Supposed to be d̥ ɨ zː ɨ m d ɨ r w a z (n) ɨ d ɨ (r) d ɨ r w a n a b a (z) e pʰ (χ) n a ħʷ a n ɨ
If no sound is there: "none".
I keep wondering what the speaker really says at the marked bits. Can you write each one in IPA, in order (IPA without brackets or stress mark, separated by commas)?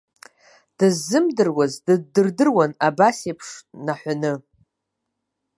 d, r, s, ʂ